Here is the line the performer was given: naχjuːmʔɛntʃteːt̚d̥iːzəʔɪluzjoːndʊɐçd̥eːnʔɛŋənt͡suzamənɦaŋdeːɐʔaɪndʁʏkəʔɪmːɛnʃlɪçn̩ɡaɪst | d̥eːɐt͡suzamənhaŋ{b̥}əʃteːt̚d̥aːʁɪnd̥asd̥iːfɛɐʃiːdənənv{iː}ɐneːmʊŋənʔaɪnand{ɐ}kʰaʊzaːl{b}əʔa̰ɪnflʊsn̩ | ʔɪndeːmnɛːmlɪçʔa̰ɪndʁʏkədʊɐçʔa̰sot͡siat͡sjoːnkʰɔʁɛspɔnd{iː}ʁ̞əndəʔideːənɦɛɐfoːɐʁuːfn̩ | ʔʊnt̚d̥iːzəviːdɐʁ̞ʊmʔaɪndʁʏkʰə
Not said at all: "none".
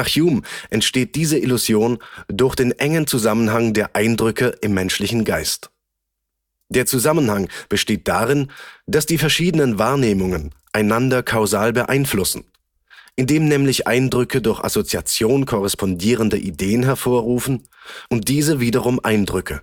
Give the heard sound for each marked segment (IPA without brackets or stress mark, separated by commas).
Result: b̥, aː, ɐ, b, iː